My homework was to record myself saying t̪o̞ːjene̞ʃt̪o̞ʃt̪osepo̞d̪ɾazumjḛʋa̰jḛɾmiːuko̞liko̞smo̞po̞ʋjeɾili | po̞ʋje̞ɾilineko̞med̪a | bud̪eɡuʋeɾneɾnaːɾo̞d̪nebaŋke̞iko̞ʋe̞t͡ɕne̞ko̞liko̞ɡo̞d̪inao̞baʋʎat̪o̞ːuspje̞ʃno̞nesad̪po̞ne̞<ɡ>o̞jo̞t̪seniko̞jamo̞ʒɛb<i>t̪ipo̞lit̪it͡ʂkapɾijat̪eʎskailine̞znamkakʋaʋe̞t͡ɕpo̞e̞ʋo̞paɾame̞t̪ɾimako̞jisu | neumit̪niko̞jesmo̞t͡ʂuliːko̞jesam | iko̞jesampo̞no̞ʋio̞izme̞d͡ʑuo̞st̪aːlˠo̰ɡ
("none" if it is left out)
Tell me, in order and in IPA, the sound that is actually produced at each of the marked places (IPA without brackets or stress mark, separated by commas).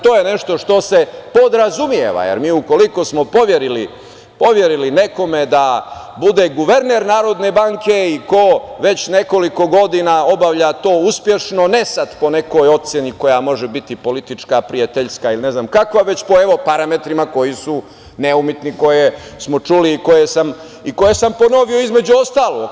k, i